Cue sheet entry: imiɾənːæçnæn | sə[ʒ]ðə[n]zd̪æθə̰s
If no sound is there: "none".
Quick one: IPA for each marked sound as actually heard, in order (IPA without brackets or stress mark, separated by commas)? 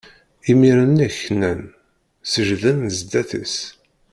ʒ, n